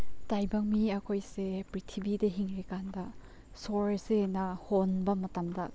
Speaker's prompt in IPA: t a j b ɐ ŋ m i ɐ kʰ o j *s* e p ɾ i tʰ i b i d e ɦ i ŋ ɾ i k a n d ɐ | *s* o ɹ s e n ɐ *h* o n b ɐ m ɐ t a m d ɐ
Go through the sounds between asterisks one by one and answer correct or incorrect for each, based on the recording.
correct, correct, correct

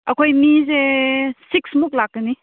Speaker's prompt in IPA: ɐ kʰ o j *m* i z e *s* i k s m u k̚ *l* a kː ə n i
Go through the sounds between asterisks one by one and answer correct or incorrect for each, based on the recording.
correct, correct, correct

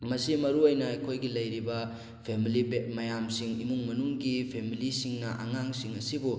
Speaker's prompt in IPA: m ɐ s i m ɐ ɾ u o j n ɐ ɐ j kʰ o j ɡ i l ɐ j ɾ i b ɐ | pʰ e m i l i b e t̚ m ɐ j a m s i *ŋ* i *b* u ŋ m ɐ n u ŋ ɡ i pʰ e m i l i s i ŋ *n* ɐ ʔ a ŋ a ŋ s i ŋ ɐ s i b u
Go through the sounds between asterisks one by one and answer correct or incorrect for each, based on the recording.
correct, incorrect: m, correct

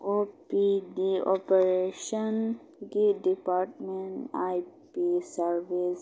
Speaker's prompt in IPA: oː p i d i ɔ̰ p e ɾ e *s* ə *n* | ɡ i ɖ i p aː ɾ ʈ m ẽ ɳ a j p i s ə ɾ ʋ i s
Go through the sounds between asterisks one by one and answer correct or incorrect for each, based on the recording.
incorrect: ʃ, correct

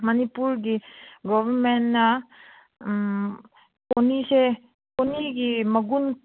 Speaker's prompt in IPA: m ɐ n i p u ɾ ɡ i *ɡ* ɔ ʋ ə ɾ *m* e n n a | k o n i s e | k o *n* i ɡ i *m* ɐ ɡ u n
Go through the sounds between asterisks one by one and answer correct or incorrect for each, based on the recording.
correct, correct, correct, correct

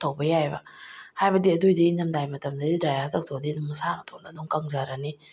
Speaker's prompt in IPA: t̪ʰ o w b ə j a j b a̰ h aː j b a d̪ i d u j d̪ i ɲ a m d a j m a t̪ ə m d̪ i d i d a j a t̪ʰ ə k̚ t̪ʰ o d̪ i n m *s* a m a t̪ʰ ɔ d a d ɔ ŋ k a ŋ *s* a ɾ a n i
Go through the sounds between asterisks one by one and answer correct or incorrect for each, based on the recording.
correct, incorrect: z

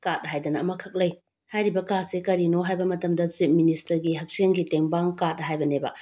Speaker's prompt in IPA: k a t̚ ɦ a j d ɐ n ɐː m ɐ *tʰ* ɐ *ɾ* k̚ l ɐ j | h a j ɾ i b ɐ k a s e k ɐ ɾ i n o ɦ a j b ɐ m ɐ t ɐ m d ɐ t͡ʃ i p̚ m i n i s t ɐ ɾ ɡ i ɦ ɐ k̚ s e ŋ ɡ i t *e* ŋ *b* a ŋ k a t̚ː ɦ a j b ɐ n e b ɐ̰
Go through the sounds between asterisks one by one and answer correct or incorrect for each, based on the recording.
incorrect: kʰ, incorrect: none, correct, correct

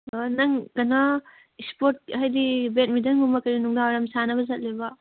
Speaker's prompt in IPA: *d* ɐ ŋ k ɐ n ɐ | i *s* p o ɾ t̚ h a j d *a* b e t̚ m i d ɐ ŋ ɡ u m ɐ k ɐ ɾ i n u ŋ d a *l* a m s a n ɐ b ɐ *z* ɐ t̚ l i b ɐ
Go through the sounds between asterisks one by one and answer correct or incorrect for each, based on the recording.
incorrect: n, correct, incorrect: i, incorrect: ɾ, correct

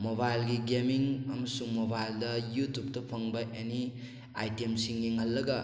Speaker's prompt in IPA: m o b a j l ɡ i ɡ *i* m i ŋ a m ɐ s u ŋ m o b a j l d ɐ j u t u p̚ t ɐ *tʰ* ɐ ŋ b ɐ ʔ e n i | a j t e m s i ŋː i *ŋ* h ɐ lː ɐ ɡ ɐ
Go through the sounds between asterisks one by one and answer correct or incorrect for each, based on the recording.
incorrect: e, incorrect: pʰ, correct

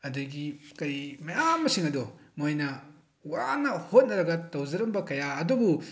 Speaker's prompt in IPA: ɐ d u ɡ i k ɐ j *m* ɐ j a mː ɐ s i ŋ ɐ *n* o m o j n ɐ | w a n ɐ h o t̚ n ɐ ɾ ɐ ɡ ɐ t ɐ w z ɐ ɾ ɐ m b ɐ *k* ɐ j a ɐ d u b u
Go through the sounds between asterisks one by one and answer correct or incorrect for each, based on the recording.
correct, incorrect: d, correct

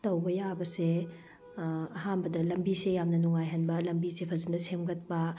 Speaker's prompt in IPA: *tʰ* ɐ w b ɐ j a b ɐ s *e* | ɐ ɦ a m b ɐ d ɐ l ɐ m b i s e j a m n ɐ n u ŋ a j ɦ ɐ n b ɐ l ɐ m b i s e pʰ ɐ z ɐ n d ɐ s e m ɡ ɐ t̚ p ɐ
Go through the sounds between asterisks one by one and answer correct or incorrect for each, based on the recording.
incorrect: t, correct

